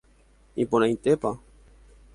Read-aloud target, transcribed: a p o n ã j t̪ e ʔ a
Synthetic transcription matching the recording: i p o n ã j t̪ e p a